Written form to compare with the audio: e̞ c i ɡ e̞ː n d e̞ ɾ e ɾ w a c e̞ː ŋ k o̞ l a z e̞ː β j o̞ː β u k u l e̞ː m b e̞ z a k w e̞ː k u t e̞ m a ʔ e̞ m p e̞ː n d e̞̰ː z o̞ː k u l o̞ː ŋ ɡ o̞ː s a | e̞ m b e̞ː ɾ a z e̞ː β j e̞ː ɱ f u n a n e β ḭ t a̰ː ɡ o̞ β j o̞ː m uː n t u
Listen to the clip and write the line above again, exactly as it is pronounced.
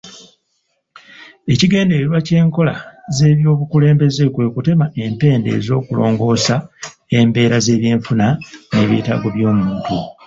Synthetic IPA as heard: e̞ c i ɡ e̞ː n d e̞ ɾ e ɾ w a c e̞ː ŋ k o̞ l a z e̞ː β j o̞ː β u k u l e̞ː m b e̞ z e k w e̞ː k u t e̞ m a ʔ e̞ m p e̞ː n d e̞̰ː z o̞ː k u l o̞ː ŋ ɡ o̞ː s a | e̞ m b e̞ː ɾ a z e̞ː β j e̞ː ɱ f u n a n e β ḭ t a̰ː ɡ o̞ β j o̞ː m uː n t u